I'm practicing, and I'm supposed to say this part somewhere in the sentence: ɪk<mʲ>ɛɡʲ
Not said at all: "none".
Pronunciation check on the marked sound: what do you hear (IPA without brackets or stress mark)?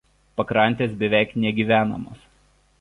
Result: nʲ